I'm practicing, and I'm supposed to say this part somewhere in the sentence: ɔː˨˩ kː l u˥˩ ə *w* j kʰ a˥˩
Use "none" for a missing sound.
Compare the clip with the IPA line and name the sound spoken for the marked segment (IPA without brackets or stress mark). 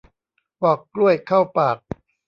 none